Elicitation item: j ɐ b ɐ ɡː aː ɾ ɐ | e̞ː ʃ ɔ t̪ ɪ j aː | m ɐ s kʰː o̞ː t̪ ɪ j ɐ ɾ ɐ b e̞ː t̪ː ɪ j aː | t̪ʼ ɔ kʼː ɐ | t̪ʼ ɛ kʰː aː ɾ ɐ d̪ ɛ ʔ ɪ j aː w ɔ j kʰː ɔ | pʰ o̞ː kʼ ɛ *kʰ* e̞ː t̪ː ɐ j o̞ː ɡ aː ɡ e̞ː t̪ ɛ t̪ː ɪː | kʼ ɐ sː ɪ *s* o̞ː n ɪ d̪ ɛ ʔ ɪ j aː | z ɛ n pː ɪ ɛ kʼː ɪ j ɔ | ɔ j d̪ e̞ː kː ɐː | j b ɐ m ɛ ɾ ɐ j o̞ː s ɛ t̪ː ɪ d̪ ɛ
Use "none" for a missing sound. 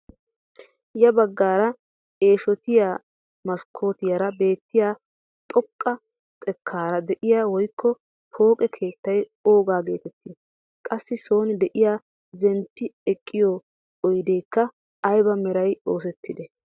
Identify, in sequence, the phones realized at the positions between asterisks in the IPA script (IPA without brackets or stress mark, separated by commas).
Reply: kʰ, s